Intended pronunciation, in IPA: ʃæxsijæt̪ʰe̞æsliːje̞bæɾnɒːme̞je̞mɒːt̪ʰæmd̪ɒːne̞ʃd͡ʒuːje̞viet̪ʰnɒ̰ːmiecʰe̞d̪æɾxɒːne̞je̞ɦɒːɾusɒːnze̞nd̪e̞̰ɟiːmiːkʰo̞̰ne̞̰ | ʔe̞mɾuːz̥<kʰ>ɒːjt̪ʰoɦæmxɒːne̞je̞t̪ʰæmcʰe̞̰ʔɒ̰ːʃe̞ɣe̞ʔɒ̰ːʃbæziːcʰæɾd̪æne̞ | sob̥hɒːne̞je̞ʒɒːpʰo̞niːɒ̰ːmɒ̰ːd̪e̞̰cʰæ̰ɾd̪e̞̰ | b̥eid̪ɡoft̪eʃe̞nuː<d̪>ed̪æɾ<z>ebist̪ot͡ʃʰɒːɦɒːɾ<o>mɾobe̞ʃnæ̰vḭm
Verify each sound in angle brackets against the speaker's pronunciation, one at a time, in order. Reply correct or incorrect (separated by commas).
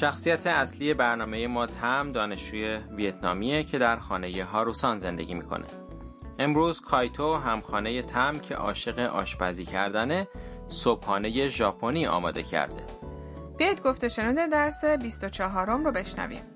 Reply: correct, correct, incorrect, correct